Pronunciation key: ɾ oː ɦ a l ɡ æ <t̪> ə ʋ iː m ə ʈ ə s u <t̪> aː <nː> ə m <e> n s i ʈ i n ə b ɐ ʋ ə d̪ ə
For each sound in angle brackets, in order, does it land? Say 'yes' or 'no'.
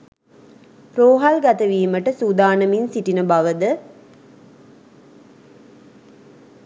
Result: yes, no, no, no

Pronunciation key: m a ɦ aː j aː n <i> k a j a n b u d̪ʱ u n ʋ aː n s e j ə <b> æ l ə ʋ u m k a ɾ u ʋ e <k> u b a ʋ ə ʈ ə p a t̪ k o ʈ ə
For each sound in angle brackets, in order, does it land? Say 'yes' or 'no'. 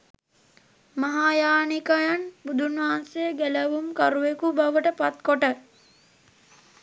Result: yes, no, yes

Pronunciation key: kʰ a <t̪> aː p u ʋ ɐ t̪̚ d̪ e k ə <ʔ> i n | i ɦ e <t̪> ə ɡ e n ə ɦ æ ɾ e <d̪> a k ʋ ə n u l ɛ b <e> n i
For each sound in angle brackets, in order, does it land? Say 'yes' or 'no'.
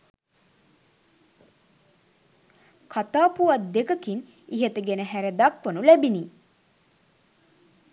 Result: yes, no, yes, yes, no

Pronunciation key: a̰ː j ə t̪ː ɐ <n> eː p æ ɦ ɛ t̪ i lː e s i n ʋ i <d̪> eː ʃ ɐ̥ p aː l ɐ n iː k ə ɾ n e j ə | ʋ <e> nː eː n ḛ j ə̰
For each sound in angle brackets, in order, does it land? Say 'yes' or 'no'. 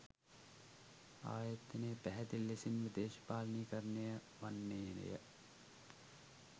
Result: yes, yes, no

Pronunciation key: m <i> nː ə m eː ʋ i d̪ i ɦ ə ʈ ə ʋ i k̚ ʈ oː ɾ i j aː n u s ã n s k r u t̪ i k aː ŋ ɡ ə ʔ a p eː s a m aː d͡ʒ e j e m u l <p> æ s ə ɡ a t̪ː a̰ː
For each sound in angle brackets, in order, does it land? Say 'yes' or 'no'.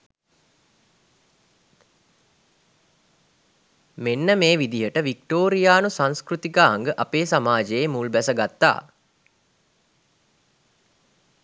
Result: no, no

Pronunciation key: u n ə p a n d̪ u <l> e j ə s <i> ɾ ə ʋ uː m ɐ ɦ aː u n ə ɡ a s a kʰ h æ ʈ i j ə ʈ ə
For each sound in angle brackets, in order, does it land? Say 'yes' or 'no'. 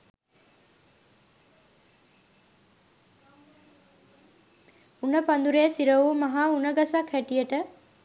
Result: no, yes

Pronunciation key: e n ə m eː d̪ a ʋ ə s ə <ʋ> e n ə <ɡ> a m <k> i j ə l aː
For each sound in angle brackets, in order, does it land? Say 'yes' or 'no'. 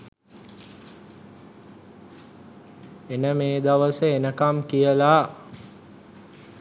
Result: no, no, yes

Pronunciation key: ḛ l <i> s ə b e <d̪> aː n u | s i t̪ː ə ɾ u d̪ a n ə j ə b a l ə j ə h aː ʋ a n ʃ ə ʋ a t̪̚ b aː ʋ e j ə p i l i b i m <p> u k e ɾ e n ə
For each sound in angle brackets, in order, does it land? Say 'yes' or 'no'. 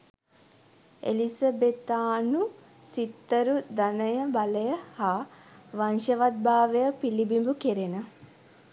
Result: yes, no, no

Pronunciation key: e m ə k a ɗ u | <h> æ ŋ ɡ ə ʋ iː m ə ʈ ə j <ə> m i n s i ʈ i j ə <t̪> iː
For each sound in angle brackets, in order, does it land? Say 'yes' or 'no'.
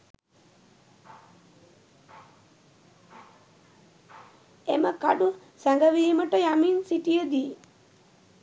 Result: no, no, no

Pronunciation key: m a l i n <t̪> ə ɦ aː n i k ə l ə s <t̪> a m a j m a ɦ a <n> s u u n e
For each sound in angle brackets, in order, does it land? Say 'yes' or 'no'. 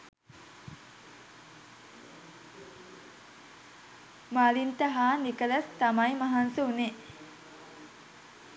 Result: yes, yes, yes

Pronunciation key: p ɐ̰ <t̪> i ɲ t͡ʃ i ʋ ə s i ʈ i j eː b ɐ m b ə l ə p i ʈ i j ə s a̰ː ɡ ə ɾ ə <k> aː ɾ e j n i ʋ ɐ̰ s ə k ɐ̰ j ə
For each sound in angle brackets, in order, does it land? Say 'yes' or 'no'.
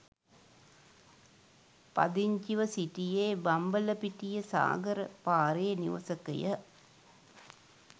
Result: no, no

